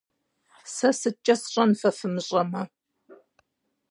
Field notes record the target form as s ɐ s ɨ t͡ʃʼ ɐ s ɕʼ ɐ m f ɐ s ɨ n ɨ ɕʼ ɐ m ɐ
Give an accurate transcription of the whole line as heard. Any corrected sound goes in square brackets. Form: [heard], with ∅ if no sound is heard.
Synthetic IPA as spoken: s ɐ s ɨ t͡ʃʼ ɐ s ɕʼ ɐ [n] f ɐ [f] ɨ [m] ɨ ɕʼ ɐ m ɐ